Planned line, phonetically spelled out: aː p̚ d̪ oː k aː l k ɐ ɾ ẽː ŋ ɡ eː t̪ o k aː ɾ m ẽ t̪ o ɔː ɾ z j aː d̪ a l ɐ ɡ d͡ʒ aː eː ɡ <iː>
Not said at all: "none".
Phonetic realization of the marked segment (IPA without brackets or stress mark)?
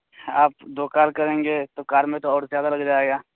aː